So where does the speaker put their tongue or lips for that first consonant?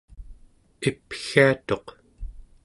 lips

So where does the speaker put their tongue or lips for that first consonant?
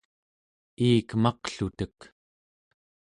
velum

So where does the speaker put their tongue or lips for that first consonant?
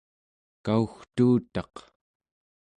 velum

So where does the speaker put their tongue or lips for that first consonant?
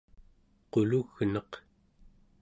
uvula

